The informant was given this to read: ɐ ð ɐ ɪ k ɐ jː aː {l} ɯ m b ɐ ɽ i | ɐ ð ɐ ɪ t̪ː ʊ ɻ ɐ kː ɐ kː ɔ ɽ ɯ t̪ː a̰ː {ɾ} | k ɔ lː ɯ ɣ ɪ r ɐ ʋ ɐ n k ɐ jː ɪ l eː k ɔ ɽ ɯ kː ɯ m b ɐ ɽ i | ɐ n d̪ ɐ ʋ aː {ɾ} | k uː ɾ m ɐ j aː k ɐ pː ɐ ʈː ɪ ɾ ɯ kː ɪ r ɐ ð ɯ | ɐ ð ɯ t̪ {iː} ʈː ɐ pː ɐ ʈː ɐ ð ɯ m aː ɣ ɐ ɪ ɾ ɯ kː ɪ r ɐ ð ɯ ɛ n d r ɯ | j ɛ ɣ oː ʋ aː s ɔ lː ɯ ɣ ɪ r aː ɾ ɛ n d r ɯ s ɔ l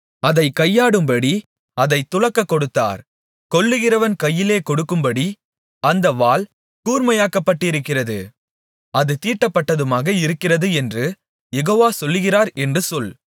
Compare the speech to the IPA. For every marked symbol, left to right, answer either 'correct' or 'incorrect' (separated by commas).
incorrect, correct, incorrect, correct